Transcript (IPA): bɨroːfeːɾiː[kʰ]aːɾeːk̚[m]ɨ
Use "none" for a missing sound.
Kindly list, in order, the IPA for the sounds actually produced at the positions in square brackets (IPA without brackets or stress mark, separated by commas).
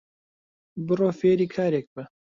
kʰ, b